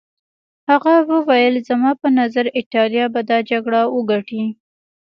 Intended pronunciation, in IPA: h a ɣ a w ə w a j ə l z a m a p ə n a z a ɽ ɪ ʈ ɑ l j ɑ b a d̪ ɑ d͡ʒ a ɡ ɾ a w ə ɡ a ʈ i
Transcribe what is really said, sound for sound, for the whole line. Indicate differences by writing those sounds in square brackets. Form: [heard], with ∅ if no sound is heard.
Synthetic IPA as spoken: h a ɣ a w ə w a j ə l z a m [ɑ] p ə n a z a [ɾ] ɪ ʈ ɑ l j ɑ b a d̪ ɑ d͡ʒ a ɡ [ɽ] a w ə ɡ a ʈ i